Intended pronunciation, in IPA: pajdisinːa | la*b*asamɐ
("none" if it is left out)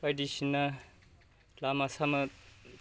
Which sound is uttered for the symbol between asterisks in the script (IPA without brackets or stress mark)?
m